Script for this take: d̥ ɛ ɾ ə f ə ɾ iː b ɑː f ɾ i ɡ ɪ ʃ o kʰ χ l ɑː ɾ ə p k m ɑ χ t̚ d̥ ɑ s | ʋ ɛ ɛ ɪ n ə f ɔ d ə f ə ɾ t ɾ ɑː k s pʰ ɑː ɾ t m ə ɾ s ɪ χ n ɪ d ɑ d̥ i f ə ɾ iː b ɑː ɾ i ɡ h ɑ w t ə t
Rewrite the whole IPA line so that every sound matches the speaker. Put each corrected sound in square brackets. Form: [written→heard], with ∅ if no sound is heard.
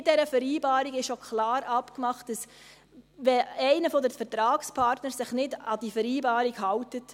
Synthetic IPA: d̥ ɛ ɾ ə f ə ɾ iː b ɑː [f→∅] ɾ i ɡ ɪ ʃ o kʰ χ l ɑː ɾ [ə→ɑ] p k m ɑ χ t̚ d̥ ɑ s | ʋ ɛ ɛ ɪ n ə f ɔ d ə f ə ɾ t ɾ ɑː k s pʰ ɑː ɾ t [m→n] ə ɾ s ɪ χ n ɪ d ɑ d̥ i f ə ɾ iː b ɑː ɾ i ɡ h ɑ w t ə t